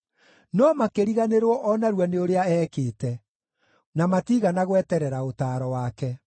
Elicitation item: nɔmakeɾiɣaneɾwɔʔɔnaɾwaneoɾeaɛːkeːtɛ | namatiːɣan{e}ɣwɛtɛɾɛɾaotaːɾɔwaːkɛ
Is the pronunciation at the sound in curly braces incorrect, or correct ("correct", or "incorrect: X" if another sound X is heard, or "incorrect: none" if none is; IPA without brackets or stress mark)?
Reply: incorrect: a